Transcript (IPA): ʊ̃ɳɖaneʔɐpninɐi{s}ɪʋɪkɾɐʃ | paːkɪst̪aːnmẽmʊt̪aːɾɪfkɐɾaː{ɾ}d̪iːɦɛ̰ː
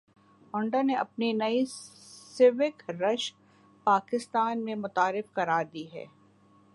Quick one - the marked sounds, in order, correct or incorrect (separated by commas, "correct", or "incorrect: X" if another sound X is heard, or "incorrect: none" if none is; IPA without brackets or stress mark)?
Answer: correct, correct